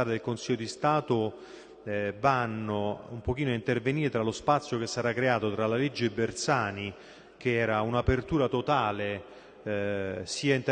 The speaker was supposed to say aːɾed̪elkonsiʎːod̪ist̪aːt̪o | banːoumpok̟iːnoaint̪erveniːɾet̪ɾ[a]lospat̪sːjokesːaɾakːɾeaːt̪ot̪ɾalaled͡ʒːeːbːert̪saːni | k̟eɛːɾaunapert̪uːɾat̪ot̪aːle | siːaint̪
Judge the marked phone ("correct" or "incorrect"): correct